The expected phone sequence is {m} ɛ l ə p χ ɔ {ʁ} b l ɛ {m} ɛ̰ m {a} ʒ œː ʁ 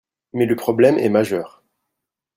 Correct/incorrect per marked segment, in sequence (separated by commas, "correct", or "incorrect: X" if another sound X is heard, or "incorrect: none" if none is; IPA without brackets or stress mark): correct, incorrect: none, correct, correct